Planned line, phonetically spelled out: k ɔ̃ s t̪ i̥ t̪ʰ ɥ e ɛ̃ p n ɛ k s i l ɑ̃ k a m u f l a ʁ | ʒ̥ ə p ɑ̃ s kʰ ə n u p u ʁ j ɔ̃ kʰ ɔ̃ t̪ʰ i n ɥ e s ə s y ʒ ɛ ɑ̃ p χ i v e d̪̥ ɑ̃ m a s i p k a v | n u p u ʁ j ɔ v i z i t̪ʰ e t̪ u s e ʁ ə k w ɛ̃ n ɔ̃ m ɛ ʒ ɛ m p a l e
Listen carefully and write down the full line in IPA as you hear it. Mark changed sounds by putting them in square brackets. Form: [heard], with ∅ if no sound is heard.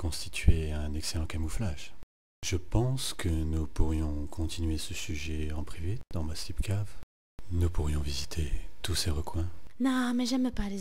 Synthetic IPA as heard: k ɔ̃ s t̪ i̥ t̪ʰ ɥ e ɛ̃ [∅] n ɛ k s [e] l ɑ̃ k a m u f l a [ʒ] | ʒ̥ ə p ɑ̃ s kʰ ə n u p u ʁ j ɔ̃ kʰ ɔ̃ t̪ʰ i n ɥ e s ə s y ʒ ɛ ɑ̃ p χ i v e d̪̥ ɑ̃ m a s i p k a v | n u p u ʁ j [ɔ̃] v i z i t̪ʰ e t̪ u s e ʁ ə k w ɛ̃ n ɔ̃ m ɛ ʒ ɛ m p a l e